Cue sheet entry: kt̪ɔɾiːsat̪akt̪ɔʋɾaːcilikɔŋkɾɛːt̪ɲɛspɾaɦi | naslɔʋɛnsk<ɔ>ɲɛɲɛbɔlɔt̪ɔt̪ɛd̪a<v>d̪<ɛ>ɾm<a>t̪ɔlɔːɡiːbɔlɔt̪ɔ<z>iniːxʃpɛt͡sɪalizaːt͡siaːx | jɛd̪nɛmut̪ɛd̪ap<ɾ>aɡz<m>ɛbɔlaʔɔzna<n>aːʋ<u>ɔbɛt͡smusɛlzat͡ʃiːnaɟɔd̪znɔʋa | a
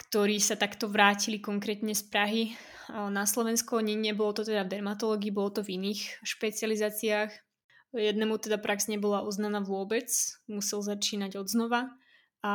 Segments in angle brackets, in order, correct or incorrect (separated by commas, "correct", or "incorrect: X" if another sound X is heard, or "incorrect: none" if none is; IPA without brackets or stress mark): correct, correct, correct, correct, incorrect: v, correct, incorrect: ɲ, correct, incorrect: ʊ